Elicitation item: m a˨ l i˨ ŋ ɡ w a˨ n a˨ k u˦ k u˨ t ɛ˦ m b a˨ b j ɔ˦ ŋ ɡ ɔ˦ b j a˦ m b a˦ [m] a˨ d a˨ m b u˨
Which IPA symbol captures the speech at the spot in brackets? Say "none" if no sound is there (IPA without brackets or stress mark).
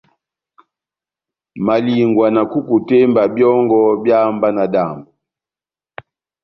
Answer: n